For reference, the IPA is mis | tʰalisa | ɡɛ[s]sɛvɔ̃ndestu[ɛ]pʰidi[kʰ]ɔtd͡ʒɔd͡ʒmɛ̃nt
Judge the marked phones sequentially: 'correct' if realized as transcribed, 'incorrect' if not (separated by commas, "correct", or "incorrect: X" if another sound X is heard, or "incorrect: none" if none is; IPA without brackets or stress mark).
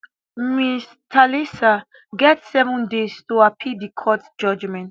incorrect: t, incorrect: a, correct